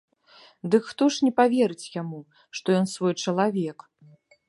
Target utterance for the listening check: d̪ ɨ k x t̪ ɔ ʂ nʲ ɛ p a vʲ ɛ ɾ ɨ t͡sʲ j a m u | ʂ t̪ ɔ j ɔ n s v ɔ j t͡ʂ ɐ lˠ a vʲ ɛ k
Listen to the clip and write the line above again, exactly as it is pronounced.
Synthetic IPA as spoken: d̪ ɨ k x t̪ ɔ ʂ nʲ ɛ p a vʲ ɛ ɾ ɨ t͡sʲ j a m u | ʂ t̪ ɔ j ɔ n s v ɔ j t͡ʂ ɐ lˠ a vʲ ɛ k